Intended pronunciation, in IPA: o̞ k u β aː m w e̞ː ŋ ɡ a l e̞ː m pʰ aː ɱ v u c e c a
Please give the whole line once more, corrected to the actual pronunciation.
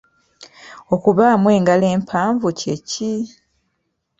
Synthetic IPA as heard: o̞ k u β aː m w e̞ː ŋ ɡ a l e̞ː m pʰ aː ɱ v u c e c i